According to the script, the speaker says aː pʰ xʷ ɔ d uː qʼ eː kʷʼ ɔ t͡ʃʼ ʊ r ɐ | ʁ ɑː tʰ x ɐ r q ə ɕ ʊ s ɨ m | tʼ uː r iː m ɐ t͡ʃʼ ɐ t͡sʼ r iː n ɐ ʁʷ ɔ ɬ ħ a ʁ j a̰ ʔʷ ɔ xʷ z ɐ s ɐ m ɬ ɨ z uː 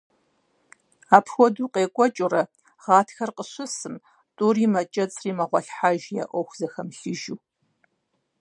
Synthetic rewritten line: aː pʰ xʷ ɔ d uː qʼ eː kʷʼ ɔ t͡ʃʼ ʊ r ɐ | ʁ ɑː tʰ x ɐ r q ə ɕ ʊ s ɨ m | tʼ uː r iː m ɐ t͡ʃʼ ɐ t͡sʼ r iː m ɐ ʁʷ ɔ ɬ ħ a ʒ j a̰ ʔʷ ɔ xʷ z ɐ x ɐ m ɬ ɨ ʒ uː